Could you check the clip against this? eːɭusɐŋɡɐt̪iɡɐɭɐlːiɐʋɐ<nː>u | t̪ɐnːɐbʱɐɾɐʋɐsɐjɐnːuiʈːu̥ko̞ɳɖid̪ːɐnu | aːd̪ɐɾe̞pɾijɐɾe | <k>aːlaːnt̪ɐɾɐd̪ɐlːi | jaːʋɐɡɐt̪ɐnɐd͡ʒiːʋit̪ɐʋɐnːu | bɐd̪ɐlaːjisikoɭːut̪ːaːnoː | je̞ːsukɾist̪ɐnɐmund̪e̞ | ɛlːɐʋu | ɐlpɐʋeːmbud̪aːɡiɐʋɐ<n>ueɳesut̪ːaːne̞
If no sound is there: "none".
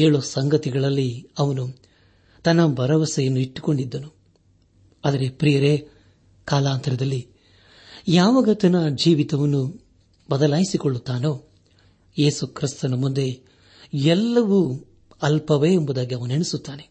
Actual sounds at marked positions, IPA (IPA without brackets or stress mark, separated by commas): n, k, n